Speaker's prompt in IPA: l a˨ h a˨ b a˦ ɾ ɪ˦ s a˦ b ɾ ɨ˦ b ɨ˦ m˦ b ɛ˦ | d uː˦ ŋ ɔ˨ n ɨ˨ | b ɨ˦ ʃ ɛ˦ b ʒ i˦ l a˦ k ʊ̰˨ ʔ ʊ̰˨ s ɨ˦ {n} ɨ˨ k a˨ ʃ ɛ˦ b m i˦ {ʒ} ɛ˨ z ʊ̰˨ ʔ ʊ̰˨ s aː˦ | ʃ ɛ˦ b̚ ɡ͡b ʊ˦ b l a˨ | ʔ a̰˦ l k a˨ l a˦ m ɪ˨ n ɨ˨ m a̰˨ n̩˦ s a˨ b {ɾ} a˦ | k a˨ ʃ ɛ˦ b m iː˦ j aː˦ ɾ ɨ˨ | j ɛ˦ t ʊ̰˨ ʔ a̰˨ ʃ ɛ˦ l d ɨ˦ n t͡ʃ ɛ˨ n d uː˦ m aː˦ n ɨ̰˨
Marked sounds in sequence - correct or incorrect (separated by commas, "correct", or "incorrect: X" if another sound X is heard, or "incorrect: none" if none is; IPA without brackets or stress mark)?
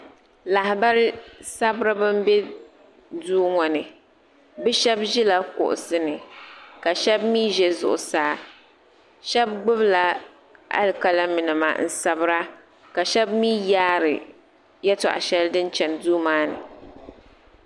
correct, correct, correct